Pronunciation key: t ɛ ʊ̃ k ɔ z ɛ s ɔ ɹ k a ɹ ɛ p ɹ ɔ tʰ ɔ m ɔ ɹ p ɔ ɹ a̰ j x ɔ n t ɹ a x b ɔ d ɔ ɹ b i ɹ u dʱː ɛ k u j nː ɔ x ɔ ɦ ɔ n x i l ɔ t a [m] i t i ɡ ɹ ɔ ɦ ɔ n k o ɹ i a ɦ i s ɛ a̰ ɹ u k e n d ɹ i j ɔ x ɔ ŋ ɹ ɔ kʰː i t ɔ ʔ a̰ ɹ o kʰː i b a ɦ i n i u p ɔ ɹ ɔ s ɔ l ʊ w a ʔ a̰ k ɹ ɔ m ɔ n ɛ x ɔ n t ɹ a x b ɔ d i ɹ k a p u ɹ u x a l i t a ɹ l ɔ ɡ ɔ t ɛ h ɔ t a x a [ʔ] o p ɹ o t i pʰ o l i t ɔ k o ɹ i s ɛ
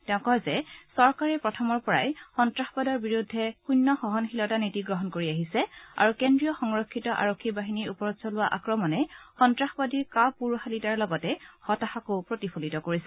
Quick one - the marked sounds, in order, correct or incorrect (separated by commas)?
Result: incorrect, incorrect